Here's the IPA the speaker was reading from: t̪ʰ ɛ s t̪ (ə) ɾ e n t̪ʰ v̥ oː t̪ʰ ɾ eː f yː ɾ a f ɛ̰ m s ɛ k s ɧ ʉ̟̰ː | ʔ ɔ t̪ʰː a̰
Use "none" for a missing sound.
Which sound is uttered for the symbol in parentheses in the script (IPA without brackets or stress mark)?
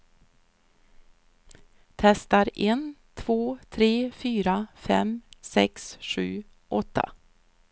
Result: a